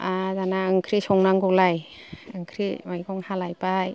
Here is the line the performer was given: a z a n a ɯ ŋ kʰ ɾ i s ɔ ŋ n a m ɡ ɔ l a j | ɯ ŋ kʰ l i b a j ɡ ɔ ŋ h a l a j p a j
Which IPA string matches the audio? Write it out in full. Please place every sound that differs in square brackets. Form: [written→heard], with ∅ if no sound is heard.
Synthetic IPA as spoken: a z a n a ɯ ŋ kʰ ɾ i s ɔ ŋ n a [m→ŋ] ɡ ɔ l a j | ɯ ŋ kʰ [l→ɾ] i [b→m] a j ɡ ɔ ŋ h a l a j p a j